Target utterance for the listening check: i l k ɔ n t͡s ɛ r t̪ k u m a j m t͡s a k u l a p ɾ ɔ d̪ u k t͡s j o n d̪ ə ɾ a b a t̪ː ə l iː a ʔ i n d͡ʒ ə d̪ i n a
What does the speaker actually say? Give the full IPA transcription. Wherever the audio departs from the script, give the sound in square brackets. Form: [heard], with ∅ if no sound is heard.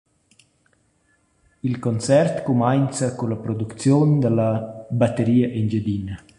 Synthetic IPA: i l k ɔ n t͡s ɛ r t̪ k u m a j [n] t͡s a k u l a p ɾ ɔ d̪ u k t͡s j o n d̪ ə [l] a b a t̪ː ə [ɾ] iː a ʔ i n d͡ʒ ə d̪ i n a